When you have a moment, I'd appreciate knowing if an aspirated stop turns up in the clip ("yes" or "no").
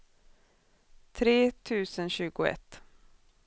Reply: yes